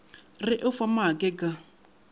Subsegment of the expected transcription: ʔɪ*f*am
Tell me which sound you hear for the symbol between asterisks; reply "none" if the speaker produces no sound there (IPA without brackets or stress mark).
f